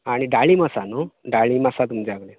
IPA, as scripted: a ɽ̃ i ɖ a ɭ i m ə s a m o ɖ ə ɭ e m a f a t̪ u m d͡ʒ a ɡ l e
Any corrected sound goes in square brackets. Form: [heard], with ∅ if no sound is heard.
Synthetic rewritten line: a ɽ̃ i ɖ a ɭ i m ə s a [n] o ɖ [a] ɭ [i] m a [s] a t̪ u m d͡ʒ a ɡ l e